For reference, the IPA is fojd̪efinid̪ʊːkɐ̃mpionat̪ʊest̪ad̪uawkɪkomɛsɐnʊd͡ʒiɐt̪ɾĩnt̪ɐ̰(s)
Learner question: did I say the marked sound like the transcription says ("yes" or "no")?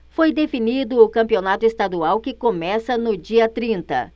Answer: no